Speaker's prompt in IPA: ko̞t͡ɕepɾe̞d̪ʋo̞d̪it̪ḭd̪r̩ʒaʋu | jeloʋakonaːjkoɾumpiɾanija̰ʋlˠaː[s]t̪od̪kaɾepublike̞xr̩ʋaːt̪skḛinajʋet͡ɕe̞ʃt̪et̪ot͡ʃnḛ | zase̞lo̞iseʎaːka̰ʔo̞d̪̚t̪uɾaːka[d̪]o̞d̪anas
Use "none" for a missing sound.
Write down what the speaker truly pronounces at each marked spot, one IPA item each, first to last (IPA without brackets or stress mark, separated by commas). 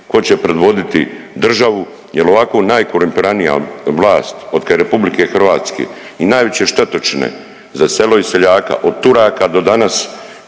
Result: s, d̪